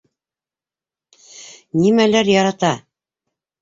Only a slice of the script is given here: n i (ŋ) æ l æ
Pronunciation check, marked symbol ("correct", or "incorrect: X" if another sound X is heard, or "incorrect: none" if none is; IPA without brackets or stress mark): incorrect: m